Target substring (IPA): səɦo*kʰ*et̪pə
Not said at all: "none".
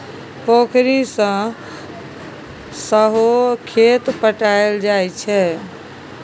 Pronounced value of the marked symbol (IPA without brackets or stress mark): kʰ